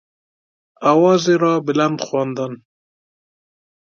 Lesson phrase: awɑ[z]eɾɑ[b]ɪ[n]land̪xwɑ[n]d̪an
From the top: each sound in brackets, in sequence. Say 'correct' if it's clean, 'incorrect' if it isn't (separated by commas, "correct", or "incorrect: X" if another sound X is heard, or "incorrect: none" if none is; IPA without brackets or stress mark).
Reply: correct, correct, incorrect: none, correct